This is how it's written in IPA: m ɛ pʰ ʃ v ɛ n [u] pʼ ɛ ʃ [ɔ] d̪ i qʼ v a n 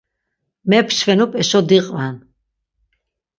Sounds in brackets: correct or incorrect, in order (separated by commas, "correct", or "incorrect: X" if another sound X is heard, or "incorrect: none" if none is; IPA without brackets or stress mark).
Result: correct, correct